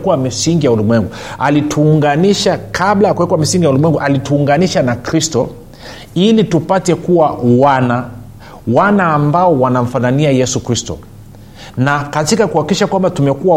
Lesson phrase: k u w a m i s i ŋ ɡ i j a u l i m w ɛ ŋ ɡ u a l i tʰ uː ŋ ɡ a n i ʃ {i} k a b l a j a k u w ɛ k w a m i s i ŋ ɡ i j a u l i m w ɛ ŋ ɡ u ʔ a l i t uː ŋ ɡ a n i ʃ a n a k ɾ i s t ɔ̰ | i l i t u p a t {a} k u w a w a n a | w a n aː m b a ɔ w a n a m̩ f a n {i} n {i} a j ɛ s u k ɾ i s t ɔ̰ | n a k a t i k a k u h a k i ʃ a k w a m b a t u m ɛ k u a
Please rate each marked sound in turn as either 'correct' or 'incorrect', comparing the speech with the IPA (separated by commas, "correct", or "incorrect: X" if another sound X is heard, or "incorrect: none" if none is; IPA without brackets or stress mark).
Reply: incorrect: a, incorrect: ɛ, incorrect: a, correct